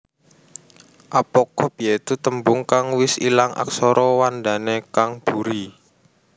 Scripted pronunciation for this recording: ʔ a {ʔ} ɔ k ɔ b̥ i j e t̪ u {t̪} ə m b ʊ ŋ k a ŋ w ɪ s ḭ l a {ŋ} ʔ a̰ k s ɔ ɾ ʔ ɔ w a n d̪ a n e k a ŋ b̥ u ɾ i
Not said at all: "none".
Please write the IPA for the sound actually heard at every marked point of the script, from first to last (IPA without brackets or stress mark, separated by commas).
p, t̪, ŋ